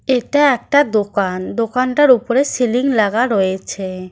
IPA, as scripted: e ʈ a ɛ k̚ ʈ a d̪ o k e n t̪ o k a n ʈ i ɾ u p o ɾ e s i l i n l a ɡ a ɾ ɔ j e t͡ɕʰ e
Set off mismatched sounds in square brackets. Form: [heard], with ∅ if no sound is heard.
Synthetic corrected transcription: e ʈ a ɛ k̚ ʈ a d̪ o k [a] n [d̪] o k a n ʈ [a] ɾ u p o ɾ e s i l i [ŋ] l a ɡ a ɾ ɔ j e t͡ɕʰ e